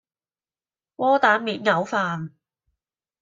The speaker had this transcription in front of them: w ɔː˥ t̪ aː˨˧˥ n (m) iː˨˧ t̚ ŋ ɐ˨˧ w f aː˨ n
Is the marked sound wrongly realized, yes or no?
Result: no